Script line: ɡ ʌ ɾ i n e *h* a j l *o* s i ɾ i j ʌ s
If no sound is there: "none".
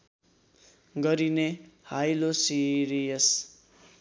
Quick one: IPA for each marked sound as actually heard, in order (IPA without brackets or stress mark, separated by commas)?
h, o